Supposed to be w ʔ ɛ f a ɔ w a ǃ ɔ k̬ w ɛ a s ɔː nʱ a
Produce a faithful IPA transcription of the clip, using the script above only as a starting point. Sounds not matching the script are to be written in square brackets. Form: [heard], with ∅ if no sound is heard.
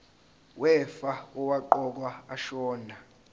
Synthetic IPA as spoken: w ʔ ɛ f a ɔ w a ǃ ɔ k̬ w [a] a [ʃ] ɔː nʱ a

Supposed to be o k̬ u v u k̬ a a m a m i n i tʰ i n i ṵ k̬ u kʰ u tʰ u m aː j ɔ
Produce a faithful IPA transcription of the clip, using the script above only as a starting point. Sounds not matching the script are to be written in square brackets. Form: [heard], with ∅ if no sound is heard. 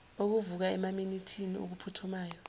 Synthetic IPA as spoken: o k̬ u v u k̬ a [ɛ] m a m i n i tʰ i n i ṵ k̬ u [pʰ] u tʰ u m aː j ɔ

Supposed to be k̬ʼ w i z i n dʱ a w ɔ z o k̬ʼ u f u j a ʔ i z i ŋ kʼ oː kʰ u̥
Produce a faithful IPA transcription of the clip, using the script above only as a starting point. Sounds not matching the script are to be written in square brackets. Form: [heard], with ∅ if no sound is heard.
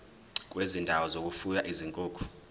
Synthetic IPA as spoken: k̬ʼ w [e] z i n dʱ a w ɔ z o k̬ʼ u f u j a ʔ i z i ŋ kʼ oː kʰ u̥

